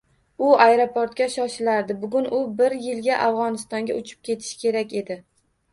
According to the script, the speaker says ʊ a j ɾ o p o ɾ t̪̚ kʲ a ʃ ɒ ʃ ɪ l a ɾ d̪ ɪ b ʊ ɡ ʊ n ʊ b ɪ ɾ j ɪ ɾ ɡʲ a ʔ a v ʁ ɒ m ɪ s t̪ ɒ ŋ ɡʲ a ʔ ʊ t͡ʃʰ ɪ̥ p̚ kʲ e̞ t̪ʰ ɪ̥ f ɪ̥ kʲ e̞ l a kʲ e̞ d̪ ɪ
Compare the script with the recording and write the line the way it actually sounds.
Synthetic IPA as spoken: ʊ a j ɾ o p o ɾ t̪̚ kʲ a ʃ ɒ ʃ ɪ l a ɾ d̪ ɪ b ʊ ɡ ʊ n ʊ b ɪ ɾ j ɪ l ɡʲ a ʔ a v ʁ ɒ n ɪ s t̪ ɒ ŋ ɡʲ a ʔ ʊ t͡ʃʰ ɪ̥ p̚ kʲ e̞ t̪ʰ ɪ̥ ʃ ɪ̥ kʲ e̞ ɾ a kʲ e̞ d̪ ɪ